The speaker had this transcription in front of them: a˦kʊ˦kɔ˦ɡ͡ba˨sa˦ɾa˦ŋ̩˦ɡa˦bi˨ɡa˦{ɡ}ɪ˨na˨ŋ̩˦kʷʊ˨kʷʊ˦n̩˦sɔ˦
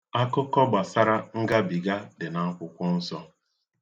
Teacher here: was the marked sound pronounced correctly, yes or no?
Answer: no